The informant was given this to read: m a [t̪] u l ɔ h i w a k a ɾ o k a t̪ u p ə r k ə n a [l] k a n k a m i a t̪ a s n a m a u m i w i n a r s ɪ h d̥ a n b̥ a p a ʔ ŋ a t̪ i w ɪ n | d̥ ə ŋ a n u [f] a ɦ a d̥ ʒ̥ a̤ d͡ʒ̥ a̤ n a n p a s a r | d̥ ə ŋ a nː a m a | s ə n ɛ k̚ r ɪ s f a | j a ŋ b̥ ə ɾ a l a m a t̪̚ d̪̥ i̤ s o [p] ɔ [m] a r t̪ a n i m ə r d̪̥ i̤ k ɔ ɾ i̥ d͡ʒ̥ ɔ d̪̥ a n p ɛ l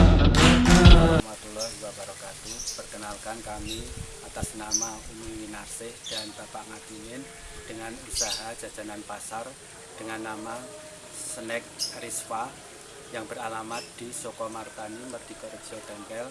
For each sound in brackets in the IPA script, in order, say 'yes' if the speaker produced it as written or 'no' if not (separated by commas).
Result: yes, yes, no, no, yes